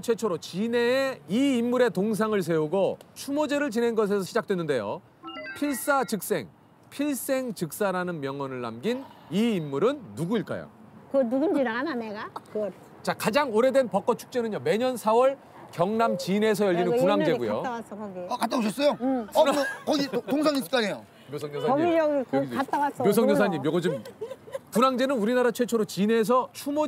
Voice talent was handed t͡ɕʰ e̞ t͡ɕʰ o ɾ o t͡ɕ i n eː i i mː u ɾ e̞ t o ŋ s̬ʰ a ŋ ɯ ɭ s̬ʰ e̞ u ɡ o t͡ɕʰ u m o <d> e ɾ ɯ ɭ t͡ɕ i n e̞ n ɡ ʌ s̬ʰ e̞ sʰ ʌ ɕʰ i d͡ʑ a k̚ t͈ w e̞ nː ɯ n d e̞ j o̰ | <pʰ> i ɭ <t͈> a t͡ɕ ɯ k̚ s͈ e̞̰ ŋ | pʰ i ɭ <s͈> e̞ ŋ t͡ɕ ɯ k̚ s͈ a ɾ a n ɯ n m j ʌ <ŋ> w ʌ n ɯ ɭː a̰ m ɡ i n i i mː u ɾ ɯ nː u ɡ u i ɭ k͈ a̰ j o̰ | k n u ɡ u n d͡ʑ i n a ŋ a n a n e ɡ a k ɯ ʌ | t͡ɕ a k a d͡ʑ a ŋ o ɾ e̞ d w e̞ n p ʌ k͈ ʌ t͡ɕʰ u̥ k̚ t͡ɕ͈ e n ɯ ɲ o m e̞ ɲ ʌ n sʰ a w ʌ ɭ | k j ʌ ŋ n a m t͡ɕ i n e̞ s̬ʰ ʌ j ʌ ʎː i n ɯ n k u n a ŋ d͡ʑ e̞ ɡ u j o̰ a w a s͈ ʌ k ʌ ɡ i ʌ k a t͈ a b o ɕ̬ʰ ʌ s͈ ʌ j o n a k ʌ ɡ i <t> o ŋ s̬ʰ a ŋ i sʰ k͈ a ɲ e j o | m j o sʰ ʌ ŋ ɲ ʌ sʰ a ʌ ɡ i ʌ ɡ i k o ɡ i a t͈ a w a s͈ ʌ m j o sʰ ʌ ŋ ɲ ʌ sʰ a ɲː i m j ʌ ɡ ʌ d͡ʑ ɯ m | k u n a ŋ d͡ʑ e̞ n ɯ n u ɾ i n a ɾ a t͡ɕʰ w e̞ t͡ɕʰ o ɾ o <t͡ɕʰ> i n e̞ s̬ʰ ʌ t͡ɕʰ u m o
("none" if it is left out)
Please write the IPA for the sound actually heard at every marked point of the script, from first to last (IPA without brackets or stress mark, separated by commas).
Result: d͡ʑ, pʰ, s͈, s͈, ŋ, t, t͡ɕ